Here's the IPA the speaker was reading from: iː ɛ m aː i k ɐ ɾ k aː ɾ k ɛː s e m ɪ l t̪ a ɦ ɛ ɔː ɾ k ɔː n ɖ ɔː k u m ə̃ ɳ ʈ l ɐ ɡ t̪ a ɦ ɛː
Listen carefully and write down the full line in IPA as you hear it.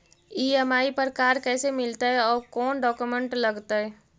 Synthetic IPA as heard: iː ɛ m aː i p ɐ ɾ k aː ɾ k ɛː s e m ɪ l t̪ a ɦ ɛ ɔː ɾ k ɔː n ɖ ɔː k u m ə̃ ɳ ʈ l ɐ ɡ t̪ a ɦ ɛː